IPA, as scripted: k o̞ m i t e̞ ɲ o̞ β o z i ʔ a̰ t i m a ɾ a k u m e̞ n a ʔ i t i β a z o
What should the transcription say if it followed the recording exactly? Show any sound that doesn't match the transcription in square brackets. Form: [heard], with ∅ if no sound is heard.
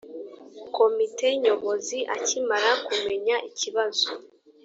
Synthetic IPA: k o̞ m i t e̞ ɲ o̞ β o z i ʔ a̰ [c] i m a ɾ a k u m e̞ [ɲ] a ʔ i [c] i β a z o